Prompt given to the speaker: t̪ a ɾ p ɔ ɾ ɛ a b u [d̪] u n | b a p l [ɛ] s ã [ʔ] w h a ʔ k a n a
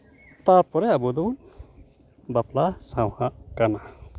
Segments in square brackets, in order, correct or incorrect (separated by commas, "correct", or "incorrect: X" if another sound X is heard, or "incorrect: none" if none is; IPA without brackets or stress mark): correct, incorrect: a, incorrect: none